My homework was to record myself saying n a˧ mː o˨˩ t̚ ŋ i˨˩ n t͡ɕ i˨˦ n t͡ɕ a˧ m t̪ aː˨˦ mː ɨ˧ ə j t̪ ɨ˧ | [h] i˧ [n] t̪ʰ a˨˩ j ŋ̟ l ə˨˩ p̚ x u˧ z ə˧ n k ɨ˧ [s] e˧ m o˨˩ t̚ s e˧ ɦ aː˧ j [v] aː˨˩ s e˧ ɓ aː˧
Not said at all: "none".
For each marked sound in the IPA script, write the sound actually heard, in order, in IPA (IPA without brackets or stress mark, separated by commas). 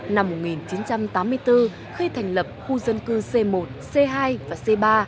x, none, s, v